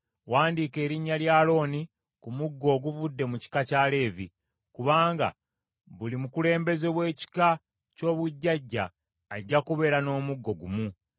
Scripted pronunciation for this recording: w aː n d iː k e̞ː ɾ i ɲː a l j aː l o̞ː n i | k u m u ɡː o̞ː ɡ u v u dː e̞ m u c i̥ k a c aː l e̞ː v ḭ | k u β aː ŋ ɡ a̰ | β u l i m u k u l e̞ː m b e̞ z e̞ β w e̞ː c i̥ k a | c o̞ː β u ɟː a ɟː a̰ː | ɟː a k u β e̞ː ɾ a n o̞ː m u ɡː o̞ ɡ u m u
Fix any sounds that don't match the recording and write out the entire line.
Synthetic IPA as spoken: w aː n d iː k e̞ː ɾ i ɲː a l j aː l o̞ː n i | k u m u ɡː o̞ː ɡ u v u dː e̞ m u c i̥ k a c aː l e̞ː v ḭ | k u β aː ŋ ɡ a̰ | β u l i m u k u l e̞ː m b e̞ z e̞ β w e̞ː c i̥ k a | c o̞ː β u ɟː a ɟː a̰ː | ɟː a k u β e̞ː ɾ a n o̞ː m u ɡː o̞ ɡ u m u